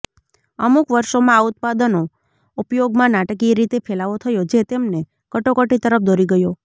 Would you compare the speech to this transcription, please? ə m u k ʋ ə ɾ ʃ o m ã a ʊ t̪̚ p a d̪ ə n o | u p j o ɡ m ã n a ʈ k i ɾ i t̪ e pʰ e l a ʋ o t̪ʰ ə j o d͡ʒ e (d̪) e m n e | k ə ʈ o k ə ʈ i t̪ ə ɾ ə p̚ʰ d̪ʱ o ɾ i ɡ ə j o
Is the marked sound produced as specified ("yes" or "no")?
no